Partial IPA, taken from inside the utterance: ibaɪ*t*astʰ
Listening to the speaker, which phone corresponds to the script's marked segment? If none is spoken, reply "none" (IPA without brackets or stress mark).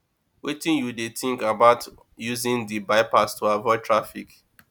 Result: p